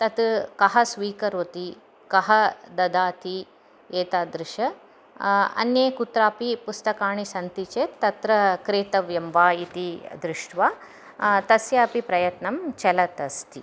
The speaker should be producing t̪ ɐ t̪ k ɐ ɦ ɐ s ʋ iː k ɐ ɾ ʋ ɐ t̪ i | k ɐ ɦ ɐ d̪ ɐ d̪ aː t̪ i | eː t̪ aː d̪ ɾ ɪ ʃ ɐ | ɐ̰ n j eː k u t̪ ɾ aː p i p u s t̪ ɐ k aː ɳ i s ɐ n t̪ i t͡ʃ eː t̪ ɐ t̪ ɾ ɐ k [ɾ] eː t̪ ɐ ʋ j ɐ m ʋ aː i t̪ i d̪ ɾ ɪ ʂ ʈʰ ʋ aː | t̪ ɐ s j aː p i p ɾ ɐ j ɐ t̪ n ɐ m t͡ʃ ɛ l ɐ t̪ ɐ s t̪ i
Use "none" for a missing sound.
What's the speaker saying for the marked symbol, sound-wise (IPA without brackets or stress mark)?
ɾ